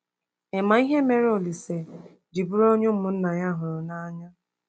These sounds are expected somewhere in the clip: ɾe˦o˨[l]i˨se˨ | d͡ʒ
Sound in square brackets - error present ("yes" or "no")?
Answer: no